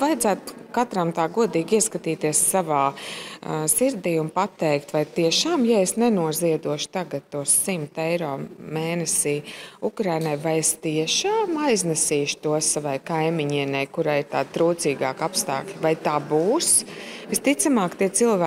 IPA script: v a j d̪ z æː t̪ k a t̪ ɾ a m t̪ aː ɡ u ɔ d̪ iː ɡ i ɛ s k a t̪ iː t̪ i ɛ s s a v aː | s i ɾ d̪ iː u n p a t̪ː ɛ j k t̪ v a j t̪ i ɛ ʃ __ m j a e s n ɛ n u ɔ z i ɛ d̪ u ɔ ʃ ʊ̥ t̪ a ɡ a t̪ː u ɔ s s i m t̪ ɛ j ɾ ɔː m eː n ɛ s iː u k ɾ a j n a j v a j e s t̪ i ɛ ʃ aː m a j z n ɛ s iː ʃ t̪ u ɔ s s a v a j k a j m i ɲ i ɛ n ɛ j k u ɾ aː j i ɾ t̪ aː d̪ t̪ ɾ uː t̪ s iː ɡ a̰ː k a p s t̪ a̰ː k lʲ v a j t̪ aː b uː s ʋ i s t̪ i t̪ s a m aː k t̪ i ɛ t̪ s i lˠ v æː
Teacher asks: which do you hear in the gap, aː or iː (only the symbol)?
aː